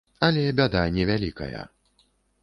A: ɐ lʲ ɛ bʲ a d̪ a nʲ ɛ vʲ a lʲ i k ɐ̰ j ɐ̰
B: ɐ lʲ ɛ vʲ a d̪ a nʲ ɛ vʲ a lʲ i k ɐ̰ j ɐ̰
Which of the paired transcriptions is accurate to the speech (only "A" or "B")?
A